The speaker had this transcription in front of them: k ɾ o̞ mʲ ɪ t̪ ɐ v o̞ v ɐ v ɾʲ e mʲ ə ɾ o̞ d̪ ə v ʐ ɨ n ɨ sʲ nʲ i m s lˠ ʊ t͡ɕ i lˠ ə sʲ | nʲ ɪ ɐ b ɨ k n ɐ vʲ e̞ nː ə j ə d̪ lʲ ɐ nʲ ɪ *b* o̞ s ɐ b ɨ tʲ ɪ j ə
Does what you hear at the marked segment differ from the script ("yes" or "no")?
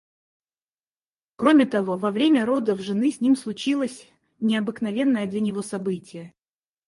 yes